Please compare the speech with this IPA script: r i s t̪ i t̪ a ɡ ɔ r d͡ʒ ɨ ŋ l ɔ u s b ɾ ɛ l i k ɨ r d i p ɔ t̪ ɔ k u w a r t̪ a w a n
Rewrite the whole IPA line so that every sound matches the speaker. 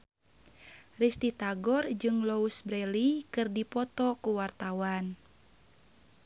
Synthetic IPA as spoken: r i s t̪ i t̪ a ɡ ɔ r d͡ʒ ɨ ŋ l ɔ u s b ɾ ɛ l i k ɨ r d i p ɔ t̪ ɔ k u w a r t̪ a w a n